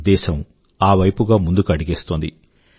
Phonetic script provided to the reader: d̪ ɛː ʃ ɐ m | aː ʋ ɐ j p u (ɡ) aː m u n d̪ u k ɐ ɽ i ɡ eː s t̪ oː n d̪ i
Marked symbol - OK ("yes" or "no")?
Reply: yes